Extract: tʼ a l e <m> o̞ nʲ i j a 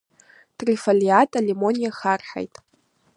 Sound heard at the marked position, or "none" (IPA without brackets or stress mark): m